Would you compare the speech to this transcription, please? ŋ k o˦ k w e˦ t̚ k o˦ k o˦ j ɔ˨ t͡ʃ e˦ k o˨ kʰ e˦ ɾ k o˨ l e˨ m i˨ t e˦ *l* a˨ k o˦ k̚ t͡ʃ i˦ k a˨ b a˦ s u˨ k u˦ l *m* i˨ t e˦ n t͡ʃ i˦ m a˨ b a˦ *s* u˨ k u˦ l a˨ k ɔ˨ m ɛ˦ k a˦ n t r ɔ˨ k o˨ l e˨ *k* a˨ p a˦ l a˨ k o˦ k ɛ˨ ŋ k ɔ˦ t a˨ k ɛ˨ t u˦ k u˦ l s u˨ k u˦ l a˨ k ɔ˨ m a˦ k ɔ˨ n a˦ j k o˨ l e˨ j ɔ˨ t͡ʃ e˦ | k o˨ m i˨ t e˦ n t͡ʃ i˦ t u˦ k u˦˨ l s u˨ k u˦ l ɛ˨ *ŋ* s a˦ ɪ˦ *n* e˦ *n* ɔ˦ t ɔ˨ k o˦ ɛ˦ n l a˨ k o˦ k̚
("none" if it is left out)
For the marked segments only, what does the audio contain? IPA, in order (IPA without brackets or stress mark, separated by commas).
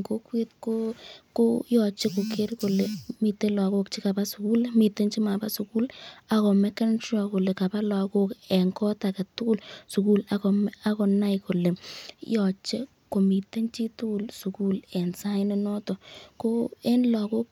l, m, s, k, n, n, n